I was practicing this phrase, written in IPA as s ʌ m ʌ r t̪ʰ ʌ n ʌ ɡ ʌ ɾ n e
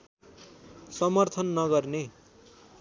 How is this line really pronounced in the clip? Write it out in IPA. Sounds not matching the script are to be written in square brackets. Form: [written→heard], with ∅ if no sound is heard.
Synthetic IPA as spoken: s ʌ m ʌ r t̪ʰ ʌ [n→nː] ʌ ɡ ʌ [ɾ→r] n e